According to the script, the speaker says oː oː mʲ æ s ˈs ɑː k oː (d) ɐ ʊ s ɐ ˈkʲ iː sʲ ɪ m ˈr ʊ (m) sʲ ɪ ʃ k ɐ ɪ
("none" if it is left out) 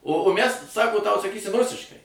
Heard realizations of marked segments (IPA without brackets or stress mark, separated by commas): t, none